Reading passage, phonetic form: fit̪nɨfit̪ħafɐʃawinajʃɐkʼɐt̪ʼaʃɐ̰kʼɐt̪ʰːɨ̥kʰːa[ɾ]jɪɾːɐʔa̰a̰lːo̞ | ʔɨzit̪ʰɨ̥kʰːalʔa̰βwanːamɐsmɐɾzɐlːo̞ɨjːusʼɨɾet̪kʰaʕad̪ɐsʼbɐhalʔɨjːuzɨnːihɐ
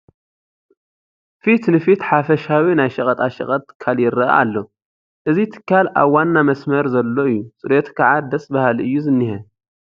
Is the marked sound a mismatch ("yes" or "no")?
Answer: yes